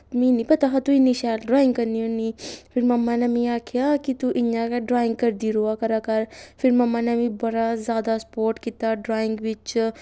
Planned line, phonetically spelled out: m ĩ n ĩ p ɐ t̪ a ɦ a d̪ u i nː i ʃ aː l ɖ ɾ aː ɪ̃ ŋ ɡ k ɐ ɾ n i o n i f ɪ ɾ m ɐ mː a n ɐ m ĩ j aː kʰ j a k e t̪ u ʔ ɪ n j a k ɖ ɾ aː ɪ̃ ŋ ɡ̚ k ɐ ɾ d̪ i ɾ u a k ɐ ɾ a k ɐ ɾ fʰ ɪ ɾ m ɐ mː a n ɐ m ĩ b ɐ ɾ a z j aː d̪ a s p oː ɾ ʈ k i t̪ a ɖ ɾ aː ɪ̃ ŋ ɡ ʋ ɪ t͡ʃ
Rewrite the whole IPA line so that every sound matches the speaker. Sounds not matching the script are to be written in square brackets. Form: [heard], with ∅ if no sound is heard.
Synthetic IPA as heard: m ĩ n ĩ p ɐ t̪ a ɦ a [t̪] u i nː i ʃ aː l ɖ ɾ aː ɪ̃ ŋ ɡ k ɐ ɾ n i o n i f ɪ ɾ m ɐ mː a n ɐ m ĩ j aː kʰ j a k [i] t̪ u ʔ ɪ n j a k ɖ ɾ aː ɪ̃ ŋ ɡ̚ k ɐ ɾ d̪ i ɾ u a k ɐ ɾ a k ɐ ɾ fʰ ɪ ɾ m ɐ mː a n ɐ m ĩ b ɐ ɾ a z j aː d̪ a s p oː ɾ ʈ k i t̪ a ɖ ɾ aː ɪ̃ ŋ ɡ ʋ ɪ t͡ʃ